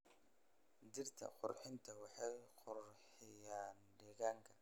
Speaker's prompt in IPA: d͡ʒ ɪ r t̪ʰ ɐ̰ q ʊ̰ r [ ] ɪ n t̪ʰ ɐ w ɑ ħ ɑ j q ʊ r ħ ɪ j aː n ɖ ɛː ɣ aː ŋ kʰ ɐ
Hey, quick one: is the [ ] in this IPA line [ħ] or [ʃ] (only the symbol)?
ħ